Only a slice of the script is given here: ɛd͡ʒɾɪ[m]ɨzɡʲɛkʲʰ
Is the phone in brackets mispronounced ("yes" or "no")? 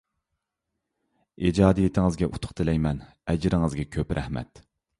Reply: yes